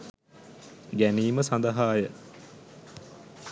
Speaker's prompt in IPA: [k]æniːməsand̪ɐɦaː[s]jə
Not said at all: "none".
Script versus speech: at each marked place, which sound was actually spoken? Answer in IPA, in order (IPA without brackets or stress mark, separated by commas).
ɡ, none